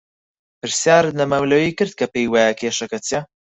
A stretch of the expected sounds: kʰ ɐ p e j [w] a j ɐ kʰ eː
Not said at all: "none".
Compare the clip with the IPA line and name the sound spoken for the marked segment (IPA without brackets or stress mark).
w